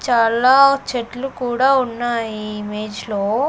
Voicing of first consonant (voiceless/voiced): voiceless